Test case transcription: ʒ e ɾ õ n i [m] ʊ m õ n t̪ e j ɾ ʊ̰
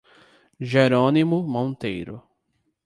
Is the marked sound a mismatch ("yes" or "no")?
no